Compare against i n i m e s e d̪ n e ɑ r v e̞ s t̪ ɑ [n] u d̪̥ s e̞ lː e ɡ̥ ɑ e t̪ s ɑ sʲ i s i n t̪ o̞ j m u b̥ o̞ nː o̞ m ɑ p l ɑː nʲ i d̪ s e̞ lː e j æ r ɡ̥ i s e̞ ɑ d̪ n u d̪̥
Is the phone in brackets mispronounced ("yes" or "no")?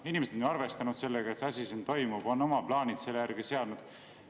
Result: no